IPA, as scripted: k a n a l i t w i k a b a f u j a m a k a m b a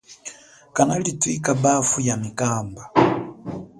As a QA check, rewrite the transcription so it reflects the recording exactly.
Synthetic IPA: k a n a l i t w i k a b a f u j a m i k a m b a